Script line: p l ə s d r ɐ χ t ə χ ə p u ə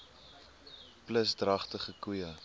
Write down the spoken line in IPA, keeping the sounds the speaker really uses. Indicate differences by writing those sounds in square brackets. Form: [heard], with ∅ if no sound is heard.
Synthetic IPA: p l ə s d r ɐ χ t ə χ ə [k] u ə